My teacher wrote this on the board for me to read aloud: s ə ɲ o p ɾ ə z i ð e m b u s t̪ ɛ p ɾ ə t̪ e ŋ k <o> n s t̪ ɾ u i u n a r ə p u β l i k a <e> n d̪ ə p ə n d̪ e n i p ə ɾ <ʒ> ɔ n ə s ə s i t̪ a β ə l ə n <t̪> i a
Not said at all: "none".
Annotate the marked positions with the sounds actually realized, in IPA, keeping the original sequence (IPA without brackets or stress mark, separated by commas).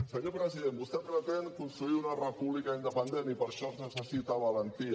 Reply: u, i, ʃ, t̪